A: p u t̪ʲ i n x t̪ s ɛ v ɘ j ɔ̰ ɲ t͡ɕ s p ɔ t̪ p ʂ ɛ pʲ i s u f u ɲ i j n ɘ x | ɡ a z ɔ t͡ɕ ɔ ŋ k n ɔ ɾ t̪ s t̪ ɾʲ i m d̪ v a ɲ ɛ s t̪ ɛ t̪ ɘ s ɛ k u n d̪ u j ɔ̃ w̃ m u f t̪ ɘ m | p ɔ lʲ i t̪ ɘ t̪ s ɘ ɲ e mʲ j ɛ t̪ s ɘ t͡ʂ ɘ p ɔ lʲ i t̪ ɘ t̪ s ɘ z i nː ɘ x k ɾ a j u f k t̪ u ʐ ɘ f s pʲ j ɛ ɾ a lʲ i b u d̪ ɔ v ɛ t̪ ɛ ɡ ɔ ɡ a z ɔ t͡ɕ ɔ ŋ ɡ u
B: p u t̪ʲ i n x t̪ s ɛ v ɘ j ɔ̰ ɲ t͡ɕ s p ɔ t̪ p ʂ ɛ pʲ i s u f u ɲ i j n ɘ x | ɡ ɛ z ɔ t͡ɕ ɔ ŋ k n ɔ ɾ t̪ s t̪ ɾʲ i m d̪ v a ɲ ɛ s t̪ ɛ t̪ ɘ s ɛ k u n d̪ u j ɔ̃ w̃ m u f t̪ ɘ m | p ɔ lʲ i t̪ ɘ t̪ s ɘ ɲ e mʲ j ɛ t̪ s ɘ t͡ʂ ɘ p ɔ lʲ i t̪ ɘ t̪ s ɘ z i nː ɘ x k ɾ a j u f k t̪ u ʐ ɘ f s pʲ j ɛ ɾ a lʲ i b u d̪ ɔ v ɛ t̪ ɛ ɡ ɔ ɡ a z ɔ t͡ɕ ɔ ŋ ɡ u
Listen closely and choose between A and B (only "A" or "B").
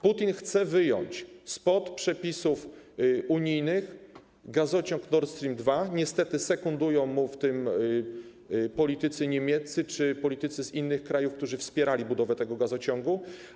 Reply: A